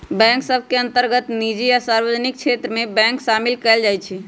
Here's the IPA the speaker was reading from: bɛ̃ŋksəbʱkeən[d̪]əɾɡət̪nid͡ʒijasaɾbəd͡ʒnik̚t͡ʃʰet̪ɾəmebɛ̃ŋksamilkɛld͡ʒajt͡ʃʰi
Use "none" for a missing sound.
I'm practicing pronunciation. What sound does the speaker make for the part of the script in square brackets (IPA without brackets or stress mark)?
t̪